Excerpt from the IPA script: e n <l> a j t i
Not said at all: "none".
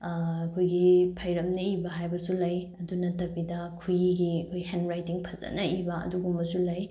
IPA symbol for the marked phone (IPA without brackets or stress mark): ɾ